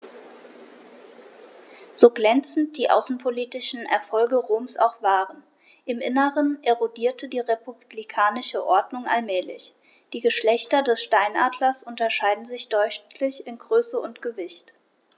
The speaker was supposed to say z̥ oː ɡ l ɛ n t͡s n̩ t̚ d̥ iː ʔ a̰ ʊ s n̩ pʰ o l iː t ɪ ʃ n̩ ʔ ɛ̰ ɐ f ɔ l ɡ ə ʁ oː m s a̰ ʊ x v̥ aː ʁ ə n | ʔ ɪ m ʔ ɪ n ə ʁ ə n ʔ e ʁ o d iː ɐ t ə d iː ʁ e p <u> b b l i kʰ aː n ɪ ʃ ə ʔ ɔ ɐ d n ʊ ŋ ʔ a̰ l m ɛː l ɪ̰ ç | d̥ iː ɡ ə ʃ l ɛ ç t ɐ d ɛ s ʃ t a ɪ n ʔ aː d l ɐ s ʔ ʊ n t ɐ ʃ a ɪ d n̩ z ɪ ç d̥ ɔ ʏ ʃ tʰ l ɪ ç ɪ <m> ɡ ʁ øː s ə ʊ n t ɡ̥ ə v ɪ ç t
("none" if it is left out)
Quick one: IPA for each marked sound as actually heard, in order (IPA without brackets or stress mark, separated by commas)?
u, n